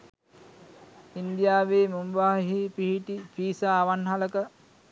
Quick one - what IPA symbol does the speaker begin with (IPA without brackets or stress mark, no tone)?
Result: i